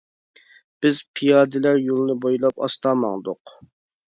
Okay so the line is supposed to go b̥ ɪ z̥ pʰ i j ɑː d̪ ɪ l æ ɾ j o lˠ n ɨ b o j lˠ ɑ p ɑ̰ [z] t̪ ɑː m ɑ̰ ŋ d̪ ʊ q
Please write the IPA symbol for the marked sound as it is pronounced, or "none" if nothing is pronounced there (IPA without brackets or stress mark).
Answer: s